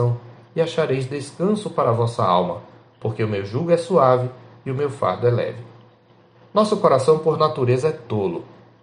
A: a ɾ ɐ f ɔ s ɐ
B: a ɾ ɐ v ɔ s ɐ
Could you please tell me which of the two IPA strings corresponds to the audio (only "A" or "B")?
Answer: B